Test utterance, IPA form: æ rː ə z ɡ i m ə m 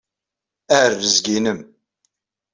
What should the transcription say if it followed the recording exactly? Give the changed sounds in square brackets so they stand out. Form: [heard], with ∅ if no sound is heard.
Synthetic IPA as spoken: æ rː ə z ɡ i [n] ə m